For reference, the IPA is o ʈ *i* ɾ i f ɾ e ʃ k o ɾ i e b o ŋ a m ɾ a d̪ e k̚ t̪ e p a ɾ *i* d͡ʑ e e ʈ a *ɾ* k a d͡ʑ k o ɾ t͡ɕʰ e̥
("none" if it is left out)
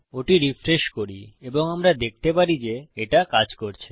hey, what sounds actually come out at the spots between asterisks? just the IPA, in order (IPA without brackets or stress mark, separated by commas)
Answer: i, i, none